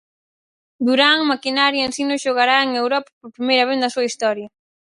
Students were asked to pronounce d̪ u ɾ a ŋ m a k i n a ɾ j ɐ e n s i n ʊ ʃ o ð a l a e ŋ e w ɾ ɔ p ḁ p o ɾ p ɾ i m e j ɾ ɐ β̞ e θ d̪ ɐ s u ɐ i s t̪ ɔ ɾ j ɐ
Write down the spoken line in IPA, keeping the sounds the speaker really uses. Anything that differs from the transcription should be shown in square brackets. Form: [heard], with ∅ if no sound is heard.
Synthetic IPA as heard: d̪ u ɾ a ŋ m a k i n a ɾ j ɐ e n s i n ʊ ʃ o [ɣ] a [ɾ] a e ŋ e w ɾ ɔ p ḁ p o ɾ p ɾ i m e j ɾ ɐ β̞ e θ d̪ ɐ s u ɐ i s t̪ ɔ ɾ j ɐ